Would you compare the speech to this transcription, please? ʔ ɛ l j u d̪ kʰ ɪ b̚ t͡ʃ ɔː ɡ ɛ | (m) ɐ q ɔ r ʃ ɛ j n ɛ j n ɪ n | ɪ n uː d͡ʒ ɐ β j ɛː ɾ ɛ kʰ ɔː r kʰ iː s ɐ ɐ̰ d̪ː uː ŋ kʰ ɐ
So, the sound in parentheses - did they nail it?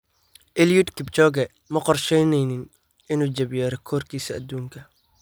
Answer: yes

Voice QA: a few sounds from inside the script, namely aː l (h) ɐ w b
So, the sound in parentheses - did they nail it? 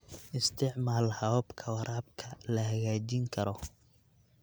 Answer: yes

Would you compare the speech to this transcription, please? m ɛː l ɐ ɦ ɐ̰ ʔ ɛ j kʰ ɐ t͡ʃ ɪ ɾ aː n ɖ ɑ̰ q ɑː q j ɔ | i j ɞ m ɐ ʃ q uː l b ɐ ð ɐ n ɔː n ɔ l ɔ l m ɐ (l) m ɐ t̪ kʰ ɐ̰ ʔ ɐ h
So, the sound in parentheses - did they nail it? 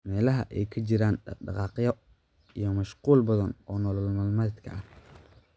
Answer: yes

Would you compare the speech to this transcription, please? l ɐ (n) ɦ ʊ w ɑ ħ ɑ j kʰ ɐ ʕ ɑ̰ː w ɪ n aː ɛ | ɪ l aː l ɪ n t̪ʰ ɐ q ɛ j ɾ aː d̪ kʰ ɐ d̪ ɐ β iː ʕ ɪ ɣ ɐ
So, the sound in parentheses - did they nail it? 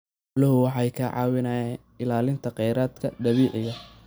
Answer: no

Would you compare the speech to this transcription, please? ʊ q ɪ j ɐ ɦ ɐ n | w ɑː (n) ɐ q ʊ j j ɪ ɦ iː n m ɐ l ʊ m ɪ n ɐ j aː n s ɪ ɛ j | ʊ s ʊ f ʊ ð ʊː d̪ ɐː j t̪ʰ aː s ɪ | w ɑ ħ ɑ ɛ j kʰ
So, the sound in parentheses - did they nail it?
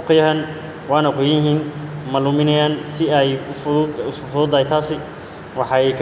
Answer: yes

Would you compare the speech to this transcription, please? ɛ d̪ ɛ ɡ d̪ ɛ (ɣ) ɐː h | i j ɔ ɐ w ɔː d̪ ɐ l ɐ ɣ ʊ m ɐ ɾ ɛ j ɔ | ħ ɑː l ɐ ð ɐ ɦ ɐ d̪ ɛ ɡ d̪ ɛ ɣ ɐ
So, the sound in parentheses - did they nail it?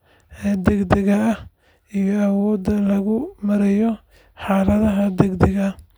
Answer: yes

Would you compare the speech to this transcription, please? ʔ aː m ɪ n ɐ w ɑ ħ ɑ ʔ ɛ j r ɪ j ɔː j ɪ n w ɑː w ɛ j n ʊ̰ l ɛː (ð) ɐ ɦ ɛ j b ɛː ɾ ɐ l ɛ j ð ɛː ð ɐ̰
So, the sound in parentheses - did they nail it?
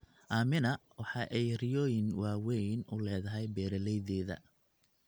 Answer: yes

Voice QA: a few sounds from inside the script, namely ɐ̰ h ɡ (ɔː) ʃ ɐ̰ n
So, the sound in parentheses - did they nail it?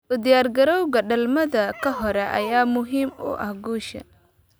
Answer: no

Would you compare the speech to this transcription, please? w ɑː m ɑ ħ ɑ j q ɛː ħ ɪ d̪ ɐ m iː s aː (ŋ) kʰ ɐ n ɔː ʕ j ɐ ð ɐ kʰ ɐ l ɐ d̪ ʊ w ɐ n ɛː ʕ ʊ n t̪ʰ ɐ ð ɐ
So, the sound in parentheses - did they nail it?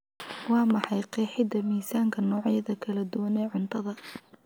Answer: yes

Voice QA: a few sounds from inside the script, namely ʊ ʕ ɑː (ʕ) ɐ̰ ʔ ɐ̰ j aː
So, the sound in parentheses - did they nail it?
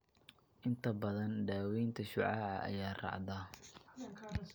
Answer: yes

